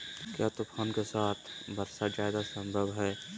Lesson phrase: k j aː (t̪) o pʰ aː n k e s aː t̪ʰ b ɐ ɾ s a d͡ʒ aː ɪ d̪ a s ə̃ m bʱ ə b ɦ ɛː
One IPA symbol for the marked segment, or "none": t̪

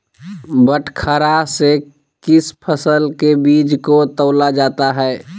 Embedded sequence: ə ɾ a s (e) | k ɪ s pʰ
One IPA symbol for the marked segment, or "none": e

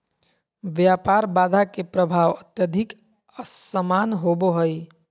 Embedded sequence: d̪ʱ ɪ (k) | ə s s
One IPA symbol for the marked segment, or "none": k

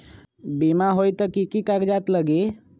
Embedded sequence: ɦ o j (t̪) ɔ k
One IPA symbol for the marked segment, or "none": t̪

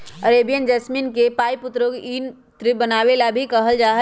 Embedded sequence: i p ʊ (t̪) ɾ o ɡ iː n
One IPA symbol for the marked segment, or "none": t̪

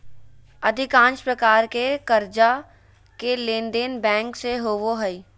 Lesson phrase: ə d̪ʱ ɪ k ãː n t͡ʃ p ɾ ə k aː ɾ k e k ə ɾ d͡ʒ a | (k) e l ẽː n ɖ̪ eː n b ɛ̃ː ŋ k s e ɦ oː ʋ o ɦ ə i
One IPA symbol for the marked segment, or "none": k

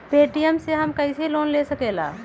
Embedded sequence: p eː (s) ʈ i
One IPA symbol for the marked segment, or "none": none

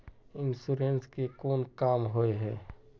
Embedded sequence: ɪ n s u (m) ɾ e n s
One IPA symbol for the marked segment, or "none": none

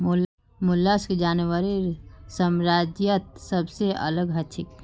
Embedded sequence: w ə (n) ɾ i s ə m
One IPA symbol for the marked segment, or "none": none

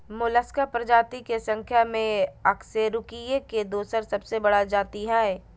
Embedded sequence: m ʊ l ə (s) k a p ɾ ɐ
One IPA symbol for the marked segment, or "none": s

